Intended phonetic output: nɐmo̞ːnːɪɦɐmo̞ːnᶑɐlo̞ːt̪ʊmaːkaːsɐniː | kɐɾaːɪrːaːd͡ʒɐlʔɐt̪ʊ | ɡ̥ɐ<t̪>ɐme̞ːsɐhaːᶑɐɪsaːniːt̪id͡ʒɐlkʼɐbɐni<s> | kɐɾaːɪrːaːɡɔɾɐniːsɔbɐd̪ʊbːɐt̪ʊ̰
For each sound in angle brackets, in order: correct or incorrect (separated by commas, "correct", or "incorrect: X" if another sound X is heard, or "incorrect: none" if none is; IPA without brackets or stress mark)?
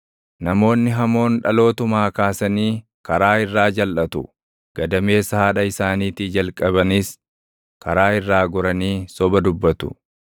incorrect: d̪, correct